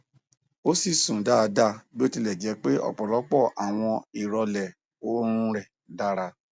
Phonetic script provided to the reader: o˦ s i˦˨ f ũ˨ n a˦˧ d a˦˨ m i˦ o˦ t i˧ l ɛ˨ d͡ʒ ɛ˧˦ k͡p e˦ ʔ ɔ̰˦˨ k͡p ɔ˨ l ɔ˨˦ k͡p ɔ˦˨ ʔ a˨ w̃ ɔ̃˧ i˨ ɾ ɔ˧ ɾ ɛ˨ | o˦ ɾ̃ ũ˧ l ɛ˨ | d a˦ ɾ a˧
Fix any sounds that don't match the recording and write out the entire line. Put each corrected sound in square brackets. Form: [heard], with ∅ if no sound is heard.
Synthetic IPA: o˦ s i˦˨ [s] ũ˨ [d] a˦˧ d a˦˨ [b] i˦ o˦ t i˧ l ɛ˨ d͡ʒ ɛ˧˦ k͡p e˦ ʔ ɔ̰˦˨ k͡p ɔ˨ l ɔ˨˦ k͡p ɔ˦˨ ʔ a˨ w̃ ɔ̃˧ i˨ ɾ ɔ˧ [l] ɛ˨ | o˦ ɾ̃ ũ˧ [ɾ] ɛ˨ | d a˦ ɾ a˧